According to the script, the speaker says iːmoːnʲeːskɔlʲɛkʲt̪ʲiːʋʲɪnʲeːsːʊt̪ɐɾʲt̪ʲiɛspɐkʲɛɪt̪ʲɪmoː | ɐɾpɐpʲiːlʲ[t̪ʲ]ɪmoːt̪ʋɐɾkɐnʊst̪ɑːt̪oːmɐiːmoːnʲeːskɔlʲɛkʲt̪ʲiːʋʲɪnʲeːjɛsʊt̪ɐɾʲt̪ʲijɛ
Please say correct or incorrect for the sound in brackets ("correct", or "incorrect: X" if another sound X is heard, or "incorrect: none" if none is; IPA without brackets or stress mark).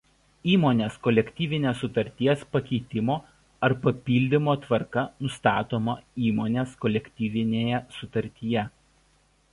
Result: incorrect: d̪ʲ